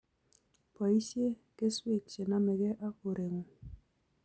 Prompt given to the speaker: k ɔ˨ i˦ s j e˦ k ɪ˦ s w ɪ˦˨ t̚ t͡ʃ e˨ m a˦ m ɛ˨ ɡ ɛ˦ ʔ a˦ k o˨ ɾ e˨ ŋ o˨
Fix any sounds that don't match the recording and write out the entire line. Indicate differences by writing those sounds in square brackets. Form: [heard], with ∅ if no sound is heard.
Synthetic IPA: [p] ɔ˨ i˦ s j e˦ k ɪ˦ s w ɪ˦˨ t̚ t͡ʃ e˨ [n] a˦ m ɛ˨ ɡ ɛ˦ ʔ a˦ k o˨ ɾ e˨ ŋ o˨